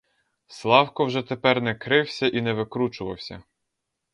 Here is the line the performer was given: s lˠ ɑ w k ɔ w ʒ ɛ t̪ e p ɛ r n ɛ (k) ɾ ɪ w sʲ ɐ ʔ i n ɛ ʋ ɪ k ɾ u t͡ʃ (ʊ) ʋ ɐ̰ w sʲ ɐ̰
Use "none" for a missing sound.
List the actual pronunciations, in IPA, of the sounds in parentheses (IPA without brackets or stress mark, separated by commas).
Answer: k, ʊ